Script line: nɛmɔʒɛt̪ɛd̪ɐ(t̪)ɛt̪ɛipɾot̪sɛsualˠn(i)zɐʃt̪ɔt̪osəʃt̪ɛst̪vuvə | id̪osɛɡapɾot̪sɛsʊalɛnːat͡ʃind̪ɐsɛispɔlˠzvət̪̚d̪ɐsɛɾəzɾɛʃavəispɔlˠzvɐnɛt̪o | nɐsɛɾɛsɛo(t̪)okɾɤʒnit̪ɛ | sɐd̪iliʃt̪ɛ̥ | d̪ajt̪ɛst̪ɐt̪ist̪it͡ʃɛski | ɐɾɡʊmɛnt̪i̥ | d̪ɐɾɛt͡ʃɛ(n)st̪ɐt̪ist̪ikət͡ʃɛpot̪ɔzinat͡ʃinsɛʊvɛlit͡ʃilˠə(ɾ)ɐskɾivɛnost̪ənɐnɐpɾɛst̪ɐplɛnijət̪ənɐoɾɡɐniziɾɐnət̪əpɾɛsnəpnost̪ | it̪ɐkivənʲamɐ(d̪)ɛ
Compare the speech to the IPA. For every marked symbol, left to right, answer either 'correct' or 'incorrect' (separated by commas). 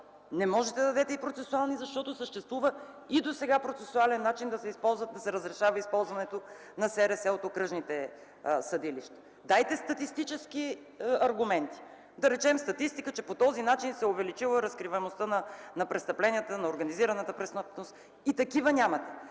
incorrect, correct, correct, incorrect, correct, incorrect